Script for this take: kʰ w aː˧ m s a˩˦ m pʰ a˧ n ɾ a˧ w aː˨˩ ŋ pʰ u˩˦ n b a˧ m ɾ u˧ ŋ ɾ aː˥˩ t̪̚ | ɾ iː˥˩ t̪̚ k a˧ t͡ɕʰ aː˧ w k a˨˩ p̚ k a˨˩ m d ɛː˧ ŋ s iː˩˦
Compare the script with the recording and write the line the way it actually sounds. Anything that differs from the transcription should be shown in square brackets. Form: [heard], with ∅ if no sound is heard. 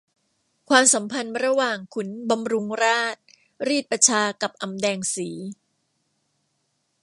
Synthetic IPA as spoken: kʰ w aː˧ m s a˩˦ m pʰ a˧ n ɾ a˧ w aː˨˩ ŋ [kʰ] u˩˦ n b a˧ m ɾ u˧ ŋ ɾ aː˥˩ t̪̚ | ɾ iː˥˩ t̪̚ [p] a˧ t͡ɕʰ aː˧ [∅] k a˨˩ p̚ [ʔ] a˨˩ m d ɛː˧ ŋ s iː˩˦